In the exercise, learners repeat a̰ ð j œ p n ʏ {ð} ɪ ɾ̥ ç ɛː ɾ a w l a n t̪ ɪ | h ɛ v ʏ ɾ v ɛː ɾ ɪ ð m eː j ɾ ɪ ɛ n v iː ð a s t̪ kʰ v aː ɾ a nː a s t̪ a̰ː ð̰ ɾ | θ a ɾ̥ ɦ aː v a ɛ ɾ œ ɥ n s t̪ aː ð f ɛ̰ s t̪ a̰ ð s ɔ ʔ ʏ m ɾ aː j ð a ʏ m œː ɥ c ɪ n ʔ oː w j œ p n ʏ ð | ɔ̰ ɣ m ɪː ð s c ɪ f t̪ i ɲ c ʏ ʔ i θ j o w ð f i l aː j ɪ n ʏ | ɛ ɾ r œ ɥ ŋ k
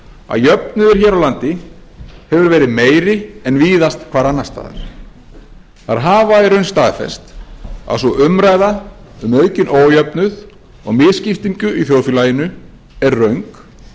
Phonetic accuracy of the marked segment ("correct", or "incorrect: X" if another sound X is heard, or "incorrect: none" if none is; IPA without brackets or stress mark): correct